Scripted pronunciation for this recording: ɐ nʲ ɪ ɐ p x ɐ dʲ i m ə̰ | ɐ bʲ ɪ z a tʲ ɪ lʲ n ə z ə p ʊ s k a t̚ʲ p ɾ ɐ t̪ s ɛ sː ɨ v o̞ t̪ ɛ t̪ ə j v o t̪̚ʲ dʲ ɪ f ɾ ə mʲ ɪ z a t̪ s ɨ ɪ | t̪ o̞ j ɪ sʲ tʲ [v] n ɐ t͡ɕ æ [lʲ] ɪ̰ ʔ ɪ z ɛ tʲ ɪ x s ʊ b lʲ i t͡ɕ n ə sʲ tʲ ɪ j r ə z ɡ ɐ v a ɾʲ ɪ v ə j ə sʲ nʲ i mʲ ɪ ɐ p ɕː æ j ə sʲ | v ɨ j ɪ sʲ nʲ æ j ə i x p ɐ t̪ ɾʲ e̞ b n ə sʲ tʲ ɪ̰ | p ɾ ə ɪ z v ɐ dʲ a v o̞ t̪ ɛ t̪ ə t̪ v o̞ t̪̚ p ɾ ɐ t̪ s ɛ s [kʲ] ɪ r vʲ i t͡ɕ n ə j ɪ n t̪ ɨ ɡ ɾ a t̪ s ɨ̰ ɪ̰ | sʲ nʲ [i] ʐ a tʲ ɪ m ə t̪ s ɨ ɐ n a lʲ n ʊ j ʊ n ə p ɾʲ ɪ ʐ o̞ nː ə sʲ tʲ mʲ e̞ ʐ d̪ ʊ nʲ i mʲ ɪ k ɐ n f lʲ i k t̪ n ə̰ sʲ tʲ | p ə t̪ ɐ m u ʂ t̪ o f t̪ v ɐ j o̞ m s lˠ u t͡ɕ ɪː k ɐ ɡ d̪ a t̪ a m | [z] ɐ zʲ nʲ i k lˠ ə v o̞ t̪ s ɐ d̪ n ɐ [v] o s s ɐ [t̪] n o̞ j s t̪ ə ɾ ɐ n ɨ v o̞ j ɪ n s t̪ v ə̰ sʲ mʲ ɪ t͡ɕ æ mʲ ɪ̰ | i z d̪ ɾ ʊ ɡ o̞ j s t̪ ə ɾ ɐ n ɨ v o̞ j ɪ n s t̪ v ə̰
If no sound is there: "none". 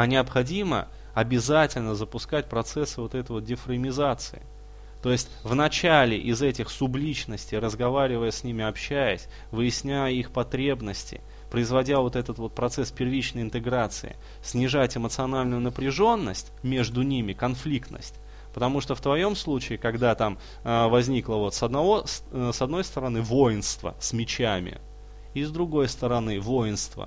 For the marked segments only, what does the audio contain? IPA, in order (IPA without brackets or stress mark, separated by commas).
v, lʲ, pʲ, ɪ, v, v, d̪